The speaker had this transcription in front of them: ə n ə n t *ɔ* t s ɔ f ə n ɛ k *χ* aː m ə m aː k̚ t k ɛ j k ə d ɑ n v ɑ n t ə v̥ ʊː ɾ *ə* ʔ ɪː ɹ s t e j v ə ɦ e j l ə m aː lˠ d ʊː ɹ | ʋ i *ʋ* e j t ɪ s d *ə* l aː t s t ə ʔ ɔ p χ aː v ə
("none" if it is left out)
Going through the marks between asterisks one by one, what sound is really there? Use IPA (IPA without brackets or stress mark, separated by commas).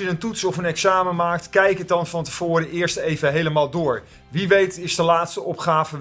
u, s, ə, ʋ, ə